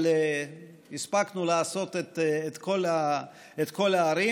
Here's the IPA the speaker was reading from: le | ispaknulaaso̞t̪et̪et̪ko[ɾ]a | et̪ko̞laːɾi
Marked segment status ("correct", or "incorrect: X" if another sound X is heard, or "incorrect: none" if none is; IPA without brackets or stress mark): incorrect: l